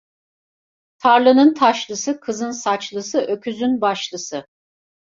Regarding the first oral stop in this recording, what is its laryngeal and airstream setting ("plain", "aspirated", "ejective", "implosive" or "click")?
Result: aspirated